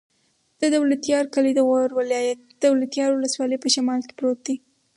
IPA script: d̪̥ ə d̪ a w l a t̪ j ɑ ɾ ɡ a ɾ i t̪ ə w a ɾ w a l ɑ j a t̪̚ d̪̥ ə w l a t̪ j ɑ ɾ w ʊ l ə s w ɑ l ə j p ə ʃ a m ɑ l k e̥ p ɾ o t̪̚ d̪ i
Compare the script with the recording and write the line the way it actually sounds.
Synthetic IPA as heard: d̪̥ ə d̪ a w l a t̪ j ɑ ɾ k a l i d̪ ə ɣ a ɾ w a l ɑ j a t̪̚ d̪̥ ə w l a t̪ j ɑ ɾ w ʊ l ə s w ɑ l ə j p ə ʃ a m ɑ l k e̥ p ɾ o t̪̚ d̪ i